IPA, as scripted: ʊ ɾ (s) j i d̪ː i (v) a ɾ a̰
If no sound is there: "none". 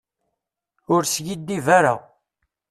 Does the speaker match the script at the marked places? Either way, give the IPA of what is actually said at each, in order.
s, v

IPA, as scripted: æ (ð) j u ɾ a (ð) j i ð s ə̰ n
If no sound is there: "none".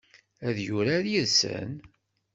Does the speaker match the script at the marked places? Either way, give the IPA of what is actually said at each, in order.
ð, ð

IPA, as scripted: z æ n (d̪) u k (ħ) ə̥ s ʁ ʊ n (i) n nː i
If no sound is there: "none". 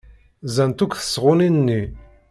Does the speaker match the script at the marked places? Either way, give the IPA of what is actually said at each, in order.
t̪, θ, i

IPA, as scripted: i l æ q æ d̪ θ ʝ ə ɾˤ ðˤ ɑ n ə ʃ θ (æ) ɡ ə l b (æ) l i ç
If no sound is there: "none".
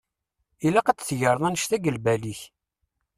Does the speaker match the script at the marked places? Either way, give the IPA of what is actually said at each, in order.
æ, æ

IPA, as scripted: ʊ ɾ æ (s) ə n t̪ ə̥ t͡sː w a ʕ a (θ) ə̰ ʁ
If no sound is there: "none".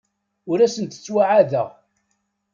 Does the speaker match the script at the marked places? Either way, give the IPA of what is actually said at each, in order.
s, ð

